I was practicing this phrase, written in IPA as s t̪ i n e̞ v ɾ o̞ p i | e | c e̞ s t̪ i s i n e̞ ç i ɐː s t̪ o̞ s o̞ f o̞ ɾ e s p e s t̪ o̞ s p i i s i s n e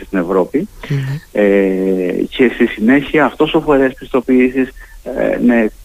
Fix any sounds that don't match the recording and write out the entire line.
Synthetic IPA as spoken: s t̪ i n e̞ v ɾ o̞ p i | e | c e̞ s t̪ i s i n e̞ ç i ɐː f t̪ o̞ s o̞ f o̞ ɾ e s p i s t̪ o̞ p i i s i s n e